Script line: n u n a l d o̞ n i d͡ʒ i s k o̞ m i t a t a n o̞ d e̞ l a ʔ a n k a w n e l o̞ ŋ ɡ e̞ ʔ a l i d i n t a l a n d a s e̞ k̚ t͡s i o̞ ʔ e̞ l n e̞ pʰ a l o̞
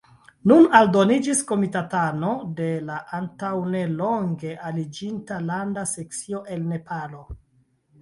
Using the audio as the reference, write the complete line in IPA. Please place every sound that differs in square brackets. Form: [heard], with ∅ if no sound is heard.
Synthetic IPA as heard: n u n a l d o̞ n i d͡ʒ i s k o̞ m i t a t a n o̞ d e̞ l a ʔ a n [t] a w n e l o̞ ŋ ɡ e̞ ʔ a l i [d͡ʒ] i n t a l a n d a s e̞ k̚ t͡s i o̞ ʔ e̞ l n e̞ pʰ a l o̞